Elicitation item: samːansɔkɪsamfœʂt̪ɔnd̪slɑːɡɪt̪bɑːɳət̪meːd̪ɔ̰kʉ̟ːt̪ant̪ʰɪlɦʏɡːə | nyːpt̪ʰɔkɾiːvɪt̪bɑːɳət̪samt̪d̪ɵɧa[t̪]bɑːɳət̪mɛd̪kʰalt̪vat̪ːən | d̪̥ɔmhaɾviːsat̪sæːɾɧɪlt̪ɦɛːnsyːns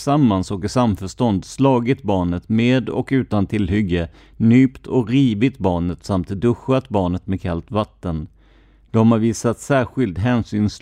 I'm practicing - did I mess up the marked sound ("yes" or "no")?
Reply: no